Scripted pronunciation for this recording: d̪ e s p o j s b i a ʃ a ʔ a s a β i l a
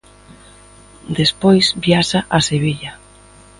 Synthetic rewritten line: d̪ e s p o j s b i a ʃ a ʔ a s e β i ʎ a

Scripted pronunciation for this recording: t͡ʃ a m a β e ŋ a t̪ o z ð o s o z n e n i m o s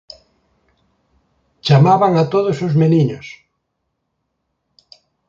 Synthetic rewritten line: t͡ʃ a m a β a ŋ a t̪ o ð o s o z m e n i ɲ o s

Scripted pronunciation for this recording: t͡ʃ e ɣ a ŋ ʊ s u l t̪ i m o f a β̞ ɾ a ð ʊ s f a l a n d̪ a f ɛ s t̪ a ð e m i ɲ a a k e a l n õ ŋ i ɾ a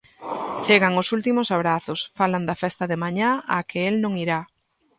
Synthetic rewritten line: t͡ʃ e ɣ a ŋ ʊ s u l t̪ i m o s a β̞ ɾ a θ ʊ s f a l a n d̪ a f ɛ s t̪ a ð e m a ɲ a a k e e l n õ ŋ i ɾ a

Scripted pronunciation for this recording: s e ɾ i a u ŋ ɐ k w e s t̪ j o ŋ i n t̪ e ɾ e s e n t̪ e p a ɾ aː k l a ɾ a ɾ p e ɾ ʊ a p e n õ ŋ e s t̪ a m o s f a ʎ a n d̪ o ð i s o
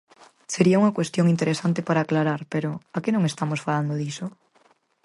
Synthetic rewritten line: s e ɾ i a u ŋ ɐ k w e s t̪ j o ŋ i n t̪ e ɾ e s a n t̪ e p a ɾ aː k l a ɾ a ɾ p e ɾ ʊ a k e n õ ŋ e s t̪ a m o s f a l a n d̪ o ð i s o

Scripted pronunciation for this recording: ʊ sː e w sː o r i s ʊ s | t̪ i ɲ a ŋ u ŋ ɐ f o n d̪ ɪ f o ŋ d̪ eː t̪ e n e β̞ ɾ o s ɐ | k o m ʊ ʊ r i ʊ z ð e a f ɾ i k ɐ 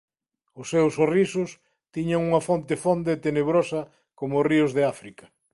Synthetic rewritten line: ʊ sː e w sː o r i s ʊ s | t̪ i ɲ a ŋ u ŋ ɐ f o n t̪ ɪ f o n d̪ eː t̪ e n e β̞ ɾ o s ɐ | k o m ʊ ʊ r i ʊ z ð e a f ɾ i k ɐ

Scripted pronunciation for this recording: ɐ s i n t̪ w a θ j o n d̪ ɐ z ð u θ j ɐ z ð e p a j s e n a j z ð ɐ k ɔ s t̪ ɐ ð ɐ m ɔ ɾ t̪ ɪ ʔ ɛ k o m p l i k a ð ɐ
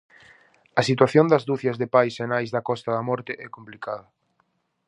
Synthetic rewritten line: ɐ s i t̪ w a θ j o n d̪ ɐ z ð u θ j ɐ z ð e p a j s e n a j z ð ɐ k ɔ s t̪ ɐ ð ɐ m ɔ ɾ t̪ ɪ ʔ ɛ k o m p l i k a ð ɐ

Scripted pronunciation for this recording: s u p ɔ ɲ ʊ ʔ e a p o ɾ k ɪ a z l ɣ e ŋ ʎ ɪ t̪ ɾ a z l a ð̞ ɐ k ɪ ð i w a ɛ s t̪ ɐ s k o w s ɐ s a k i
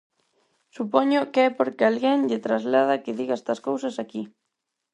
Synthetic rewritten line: s u p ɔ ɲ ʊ k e ɛ p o ɾ k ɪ a l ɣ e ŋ ʎ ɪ t̪ ɾ a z l a ð̞ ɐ k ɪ ð i ɣ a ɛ s t̪ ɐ s k o w s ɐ s a k i

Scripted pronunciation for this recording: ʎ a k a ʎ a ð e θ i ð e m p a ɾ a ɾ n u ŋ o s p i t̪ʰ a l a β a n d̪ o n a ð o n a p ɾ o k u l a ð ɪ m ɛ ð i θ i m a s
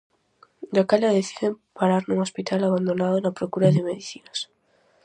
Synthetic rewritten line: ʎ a k a ʎ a ð e θ i ð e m p a ɾ a ɾ n u ŋ o s p i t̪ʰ a l a β a n d̪ o n a ð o n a p ɾ o k u ɾ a ð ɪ m e ð i θ i n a s

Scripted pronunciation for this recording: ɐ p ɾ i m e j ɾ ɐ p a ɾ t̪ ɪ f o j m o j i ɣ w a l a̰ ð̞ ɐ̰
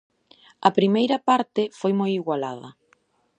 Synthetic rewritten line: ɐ p ɾ i m e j ɾ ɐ p a ɾ t̪ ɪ f o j m o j i ɣ w a l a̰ ð̞ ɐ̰

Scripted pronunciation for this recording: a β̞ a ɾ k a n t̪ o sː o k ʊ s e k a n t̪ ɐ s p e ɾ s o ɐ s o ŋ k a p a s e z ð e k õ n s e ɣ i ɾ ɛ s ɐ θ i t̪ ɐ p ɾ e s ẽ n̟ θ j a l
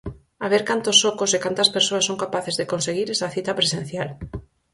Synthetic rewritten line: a β̞ e ɾ k a n t̪ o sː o k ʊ s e k a n t̪ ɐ s p e ɾ s o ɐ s o ŋ k a p a θ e z ð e k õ n s e ɣ i ɾ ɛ s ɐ θ i t̪ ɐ p ɾ e s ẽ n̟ θ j a l

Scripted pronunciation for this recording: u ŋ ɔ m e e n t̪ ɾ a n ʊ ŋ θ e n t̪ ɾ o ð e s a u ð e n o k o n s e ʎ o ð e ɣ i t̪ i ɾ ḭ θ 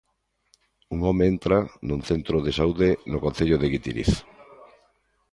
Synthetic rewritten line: u ŋ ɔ m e e n t̪ ɾ a n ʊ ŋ θ e n t̪ ɾ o ð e s a u ð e n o k o n θ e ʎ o ð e ɣ i t̪ i ɾ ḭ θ

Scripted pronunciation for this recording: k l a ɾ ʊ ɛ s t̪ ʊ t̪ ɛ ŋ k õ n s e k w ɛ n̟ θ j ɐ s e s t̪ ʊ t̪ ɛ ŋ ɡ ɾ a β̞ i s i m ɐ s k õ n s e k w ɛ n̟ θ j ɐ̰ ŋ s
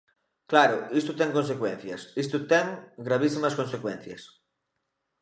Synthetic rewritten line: k l a ɾ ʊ i s t̪ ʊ t̪ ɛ ŋ k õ n s e k w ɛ n̟ θ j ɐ s i s t̪ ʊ t̪ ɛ ŋ ɡ ɾ a β̞ i s i m ɐ s k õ n s e k w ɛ n̟ θ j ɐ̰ s

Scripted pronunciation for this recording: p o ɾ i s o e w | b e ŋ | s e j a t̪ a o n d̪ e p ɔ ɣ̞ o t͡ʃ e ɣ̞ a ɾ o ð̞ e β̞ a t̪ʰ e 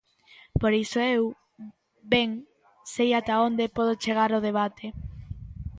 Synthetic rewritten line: p o ɾ i s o e w | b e ŋ | s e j a t̪ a o n d̪ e p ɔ ð̞ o t͡ʃ e ɣ̞ a ɾ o ð̞ e β̞ a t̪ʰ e

